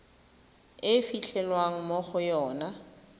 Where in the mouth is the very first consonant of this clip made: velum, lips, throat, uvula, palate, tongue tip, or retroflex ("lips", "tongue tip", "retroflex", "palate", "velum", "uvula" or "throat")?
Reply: lips